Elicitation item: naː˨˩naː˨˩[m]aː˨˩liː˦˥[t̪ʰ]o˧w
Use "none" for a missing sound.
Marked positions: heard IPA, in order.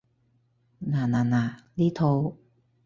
n, t̪ʰ

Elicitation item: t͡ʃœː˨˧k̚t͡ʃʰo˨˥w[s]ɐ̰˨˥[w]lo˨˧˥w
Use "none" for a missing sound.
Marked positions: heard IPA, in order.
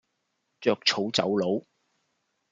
t͡s, w

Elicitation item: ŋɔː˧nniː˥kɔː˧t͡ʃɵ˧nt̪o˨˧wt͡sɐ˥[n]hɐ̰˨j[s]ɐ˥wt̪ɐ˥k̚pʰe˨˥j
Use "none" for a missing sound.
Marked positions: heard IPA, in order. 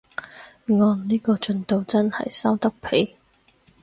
n, s

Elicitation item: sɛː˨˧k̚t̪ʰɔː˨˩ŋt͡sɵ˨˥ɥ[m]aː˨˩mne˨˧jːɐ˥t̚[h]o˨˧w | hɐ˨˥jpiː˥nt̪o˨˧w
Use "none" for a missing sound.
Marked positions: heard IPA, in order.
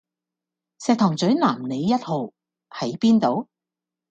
n, h

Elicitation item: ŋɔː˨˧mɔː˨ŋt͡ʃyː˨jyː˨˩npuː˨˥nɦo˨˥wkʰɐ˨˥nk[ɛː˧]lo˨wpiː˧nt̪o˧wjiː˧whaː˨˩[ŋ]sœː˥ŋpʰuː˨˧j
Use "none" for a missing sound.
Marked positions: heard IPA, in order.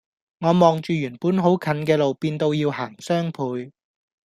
ɛː˧, ŋ

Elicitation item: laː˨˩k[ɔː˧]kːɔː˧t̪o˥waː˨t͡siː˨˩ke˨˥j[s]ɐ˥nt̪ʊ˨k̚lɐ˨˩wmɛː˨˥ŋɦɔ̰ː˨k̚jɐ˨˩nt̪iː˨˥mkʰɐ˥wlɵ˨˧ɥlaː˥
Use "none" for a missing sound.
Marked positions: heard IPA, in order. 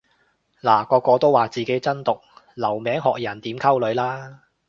ɔː˧, t͡s

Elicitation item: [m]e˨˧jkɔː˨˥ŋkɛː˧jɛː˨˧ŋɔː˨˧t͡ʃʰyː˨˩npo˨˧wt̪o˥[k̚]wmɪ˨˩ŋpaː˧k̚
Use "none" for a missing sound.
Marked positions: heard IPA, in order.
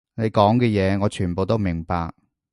n, none

